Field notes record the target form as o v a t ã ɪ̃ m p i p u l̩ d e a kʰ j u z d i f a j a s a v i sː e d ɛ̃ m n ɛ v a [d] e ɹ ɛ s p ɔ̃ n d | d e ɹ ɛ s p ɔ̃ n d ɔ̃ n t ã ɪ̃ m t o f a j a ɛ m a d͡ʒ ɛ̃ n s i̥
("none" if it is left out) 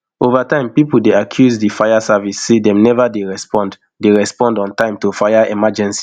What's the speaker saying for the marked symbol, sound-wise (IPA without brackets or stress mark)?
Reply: d